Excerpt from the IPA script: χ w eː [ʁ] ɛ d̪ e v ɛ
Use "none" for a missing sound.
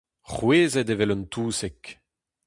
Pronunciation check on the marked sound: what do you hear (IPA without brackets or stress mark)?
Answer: z